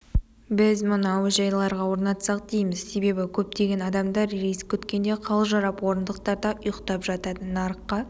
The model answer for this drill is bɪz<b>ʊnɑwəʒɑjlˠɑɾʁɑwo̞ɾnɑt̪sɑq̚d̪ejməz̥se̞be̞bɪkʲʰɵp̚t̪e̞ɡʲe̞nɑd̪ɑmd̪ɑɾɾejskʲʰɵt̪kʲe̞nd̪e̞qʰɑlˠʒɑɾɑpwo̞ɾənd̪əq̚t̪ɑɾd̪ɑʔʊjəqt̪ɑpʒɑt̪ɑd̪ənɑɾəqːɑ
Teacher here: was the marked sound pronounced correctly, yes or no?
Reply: no